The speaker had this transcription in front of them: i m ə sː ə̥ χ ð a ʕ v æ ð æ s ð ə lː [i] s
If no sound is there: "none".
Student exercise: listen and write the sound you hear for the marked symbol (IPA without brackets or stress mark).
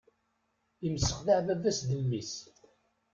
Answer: i